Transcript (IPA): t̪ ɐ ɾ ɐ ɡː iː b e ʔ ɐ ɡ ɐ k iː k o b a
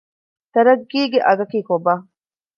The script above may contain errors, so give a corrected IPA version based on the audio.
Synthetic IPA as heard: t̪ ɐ ɾ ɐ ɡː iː ɡ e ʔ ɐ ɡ ɐ k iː k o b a